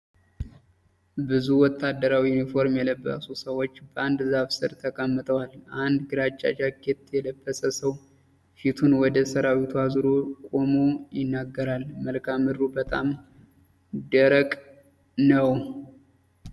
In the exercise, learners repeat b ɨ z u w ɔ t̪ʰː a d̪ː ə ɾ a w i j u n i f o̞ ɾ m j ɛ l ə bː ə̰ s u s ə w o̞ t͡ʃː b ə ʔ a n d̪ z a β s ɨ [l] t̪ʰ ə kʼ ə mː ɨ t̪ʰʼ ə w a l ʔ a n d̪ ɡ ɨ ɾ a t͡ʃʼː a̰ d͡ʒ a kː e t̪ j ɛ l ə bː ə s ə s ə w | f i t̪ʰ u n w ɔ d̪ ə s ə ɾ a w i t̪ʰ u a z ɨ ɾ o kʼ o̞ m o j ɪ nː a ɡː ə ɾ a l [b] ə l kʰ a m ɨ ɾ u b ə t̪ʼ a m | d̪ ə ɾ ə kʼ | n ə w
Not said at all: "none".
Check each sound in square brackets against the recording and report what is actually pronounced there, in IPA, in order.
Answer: ɾ, m

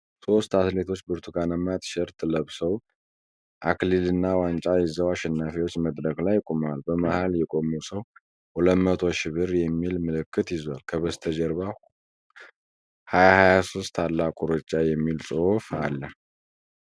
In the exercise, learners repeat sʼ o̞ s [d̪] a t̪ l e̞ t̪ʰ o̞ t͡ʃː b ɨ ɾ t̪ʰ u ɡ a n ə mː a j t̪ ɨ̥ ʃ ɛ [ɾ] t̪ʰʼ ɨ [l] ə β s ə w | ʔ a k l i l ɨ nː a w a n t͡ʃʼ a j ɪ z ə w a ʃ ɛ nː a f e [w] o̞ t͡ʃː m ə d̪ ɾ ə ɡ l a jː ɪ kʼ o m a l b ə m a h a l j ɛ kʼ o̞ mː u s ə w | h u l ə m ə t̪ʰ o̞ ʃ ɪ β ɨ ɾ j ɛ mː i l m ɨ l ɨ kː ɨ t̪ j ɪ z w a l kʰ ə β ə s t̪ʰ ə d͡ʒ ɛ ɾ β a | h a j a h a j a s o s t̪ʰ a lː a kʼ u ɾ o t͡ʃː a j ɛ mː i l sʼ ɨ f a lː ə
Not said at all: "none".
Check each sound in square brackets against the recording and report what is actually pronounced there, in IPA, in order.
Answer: t̪, ɾ, l, w

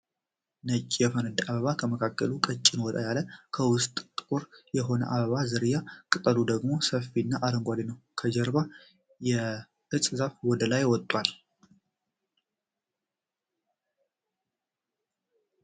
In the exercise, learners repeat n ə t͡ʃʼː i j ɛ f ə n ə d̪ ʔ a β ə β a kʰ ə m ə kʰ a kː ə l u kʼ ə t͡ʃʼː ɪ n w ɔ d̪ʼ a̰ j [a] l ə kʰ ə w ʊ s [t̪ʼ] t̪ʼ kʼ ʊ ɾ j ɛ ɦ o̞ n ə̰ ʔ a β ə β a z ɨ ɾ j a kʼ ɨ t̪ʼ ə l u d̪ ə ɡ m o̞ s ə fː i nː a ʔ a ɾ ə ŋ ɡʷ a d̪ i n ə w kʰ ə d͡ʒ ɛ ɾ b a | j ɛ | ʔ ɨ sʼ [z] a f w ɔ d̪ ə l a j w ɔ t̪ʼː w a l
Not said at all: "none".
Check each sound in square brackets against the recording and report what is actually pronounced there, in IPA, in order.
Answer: a, t̪ʼ, z

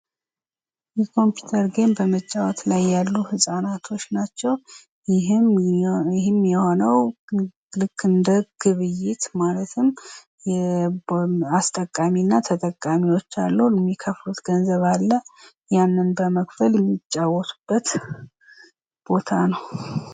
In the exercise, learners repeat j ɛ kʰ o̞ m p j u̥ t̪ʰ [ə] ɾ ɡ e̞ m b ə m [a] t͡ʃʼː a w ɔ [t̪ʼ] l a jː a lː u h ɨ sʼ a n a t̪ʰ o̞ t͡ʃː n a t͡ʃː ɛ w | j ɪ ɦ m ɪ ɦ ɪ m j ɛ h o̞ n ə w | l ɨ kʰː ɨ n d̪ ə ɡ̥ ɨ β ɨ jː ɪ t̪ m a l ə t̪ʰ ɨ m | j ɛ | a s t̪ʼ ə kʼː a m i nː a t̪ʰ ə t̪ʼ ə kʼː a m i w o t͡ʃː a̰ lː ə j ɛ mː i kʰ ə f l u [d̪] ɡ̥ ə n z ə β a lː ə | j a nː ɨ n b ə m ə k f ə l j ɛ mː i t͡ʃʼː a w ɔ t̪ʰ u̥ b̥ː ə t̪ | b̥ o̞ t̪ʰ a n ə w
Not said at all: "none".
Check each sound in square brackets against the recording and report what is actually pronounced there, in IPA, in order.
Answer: ə, ə, t̪, t̪

